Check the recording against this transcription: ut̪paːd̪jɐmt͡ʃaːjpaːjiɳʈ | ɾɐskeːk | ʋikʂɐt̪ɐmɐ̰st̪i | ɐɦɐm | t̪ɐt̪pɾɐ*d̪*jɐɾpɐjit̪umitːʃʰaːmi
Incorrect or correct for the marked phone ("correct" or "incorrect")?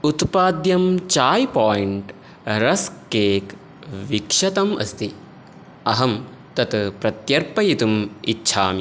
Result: incorrect